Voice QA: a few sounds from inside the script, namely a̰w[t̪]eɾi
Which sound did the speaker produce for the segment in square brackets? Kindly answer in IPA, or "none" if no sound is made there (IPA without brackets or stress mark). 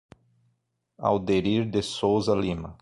d̪